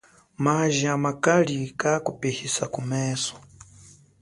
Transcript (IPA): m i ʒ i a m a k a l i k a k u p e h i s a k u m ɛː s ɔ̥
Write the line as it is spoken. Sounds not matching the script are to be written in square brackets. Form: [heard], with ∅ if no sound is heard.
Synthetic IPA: m [a] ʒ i a m a k a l i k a k u p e h i s a k u m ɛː s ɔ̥